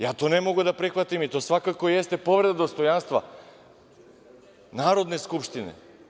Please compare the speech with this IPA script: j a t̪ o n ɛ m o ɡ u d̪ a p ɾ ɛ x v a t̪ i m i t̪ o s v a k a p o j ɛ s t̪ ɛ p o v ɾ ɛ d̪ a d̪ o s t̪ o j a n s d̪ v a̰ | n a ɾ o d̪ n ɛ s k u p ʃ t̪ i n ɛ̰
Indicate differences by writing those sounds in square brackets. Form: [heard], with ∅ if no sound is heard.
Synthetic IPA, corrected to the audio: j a t̪ o n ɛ m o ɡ u d̪ a p ɾ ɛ x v a t̪ i m i t̪ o s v a k a [k] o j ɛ s t̪ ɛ p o v ɾ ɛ d̪ a d̪ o s t̪ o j a n s [t̪] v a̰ | n a ɾ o d̪ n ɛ s k u p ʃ t̪ i n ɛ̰